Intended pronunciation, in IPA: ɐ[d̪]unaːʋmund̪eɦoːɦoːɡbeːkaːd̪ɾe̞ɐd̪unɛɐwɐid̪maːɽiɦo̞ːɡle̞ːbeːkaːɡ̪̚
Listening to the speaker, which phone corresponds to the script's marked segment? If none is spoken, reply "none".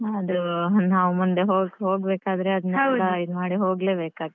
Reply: d̪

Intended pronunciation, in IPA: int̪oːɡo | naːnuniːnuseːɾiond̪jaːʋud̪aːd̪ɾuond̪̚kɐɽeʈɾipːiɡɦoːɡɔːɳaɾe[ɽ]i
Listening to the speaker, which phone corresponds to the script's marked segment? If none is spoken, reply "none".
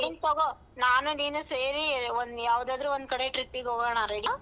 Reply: ɽ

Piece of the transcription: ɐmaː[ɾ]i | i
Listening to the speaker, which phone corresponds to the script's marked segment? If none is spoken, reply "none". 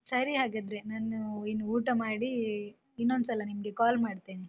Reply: ɽ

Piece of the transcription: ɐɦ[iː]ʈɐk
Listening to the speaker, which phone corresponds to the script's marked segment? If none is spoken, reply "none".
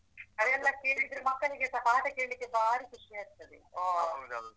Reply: aː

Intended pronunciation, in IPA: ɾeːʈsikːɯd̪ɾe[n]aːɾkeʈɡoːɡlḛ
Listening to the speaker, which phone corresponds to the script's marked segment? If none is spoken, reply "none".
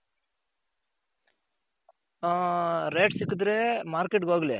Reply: m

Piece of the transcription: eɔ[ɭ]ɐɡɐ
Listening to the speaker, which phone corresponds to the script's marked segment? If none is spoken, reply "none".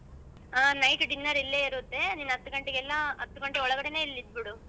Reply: ɭ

